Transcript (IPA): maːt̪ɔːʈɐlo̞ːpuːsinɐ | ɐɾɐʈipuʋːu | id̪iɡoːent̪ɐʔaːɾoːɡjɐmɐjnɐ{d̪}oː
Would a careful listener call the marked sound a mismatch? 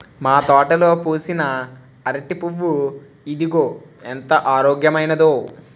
no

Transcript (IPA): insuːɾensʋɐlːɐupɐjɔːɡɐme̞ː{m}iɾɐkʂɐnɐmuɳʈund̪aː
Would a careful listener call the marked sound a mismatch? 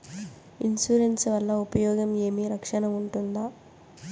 no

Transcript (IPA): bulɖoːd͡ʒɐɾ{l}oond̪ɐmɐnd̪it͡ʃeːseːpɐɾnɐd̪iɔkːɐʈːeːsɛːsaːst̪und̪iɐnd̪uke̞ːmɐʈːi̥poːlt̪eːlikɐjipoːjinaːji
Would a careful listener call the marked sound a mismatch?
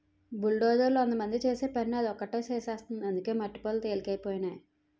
no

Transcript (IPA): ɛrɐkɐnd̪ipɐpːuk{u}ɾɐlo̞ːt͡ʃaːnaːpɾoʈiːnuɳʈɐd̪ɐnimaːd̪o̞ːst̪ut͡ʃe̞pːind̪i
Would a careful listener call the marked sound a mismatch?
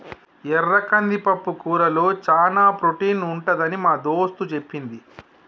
yes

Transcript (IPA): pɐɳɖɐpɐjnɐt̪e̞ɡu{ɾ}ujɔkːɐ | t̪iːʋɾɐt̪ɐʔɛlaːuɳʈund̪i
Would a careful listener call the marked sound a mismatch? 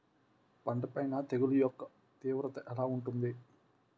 yes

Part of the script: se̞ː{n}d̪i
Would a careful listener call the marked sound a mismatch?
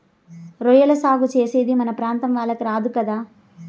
yes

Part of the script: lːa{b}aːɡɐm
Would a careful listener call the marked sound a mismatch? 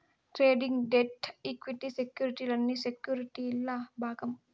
no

